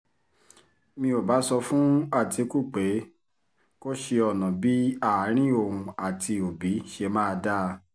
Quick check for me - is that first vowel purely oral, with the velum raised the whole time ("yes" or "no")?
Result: no